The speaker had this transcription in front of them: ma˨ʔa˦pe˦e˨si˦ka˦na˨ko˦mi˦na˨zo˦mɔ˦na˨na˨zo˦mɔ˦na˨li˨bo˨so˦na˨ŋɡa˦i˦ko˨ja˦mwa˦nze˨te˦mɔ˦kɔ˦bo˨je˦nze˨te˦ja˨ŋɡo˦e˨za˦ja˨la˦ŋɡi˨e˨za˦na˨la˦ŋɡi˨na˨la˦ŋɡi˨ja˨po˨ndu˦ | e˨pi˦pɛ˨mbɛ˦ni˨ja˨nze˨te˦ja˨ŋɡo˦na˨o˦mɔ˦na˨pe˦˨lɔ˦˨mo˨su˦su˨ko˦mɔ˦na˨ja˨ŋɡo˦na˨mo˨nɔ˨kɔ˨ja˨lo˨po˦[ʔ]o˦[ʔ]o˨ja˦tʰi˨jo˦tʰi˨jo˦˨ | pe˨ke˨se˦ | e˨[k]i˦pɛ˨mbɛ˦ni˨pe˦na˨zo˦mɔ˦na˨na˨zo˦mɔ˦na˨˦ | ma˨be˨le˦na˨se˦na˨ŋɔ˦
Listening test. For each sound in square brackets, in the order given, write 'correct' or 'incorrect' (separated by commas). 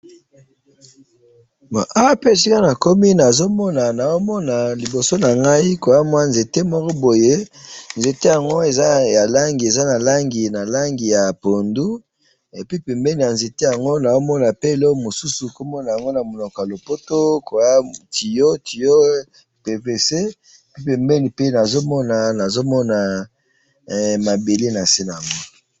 incorrect, incorrect, incorrect